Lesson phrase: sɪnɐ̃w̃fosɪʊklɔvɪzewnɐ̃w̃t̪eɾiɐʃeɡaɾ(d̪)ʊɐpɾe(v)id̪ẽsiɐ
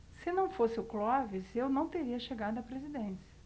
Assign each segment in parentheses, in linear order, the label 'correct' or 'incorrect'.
correct, incorrect: z

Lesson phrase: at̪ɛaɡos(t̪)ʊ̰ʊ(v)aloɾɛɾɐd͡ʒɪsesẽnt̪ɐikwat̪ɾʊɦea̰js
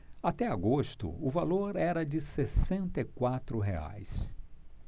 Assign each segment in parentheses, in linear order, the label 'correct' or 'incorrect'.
correct, correct

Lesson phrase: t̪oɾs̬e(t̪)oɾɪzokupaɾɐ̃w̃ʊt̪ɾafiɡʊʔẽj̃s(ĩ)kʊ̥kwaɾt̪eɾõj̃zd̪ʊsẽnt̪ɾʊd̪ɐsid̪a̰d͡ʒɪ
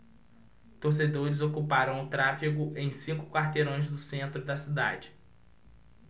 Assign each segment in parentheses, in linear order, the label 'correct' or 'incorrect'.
incorrect: d̪, correct

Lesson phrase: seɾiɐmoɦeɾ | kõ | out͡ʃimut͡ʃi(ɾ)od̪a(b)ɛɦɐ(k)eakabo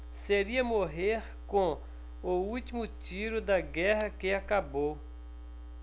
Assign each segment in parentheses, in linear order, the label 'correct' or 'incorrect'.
correct, incorrect: ɡ, correct

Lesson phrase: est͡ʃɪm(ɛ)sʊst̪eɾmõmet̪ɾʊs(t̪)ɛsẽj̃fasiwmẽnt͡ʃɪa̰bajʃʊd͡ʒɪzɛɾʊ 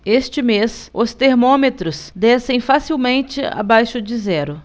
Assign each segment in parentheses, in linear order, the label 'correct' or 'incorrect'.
incorrect: e, incorrect: d̪

